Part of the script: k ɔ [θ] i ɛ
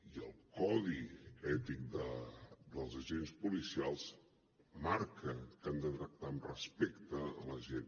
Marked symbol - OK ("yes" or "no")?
no